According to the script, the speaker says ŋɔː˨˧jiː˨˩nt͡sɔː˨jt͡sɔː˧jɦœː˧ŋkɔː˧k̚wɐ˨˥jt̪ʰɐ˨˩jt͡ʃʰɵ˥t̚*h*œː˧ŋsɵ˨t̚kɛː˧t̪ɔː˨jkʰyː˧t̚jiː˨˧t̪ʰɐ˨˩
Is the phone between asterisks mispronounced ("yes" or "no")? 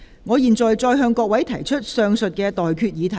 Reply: yes